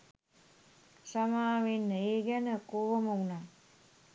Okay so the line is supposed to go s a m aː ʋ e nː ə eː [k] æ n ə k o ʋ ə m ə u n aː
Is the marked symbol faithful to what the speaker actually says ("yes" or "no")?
no